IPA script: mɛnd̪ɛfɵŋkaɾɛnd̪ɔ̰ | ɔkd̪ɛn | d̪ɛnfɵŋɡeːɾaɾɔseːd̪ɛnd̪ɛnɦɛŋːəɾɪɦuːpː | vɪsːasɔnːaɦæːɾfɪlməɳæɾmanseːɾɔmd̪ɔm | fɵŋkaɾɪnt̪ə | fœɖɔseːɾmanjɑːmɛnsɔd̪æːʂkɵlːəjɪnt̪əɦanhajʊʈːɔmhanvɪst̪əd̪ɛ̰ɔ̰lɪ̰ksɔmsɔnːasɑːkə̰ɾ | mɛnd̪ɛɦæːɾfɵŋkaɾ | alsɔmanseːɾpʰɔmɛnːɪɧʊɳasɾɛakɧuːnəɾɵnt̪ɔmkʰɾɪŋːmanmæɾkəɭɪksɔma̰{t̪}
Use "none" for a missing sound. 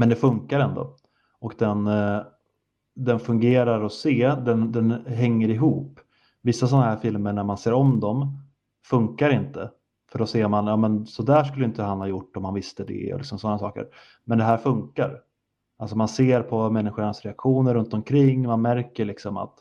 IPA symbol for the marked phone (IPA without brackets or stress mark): t̪